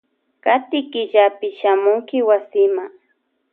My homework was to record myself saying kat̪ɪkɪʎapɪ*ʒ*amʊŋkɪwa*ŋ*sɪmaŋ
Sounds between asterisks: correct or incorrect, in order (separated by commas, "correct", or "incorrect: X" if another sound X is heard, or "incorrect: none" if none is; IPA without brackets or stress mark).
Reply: incorrect: ʃ, incorrect: none